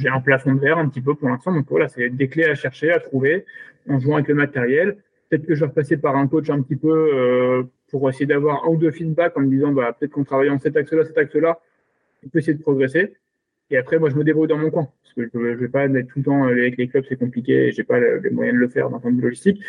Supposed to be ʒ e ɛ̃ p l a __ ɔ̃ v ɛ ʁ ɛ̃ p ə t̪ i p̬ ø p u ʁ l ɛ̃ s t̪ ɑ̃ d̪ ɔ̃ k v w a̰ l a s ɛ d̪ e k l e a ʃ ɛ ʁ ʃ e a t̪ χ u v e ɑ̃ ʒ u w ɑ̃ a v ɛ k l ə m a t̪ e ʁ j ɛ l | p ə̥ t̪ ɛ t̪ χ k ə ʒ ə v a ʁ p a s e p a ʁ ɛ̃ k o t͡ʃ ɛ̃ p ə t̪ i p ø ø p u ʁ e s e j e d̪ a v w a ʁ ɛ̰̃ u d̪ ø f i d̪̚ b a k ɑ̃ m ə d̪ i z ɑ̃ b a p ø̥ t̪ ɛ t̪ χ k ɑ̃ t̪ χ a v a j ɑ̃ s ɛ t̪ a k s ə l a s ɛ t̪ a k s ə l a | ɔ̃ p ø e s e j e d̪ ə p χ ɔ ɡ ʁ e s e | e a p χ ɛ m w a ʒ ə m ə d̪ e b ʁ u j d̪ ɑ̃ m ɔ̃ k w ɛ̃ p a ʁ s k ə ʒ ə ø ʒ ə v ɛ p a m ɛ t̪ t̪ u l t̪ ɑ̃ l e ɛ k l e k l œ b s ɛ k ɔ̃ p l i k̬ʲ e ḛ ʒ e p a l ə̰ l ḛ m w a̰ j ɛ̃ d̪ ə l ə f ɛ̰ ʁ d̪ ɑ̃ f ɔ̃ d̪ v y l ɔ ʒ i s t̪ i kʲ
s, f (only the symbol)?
f